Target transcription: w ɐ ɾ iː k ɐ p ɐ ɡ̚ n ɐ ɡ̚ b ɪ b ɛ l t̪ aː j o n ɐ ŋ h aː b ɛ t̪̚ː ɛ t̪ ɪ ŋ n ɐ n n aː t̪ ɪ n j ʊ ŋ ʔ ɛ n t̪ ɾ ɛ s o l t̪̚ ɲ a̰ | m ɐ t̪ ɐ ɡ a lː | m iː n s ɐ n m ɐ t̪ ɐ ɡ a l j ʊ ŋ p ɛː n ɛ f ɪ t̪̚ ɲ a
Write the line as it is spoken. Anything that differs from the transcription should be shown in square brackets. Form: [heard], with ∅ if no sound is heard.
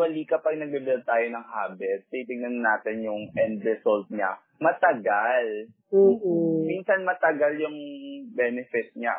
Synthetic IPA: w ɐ [l] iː k ɐ p ɐ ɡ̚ n ɐ ɡ̚ b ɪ b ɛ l t̪ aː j o n ɐ ŋ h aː b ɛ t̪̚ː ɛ t̪ ɪ ŋ n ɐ n n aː t̪ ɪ n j ʊ ŋ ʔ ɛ n [d̪] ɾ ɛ s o l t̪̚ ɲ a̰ | m ɐ t̪ ɐ ɡ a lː | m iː n s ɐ n m ɐ t̪ ɐ ɡ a l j ʊ ŋ [b] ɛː n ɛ f ɪ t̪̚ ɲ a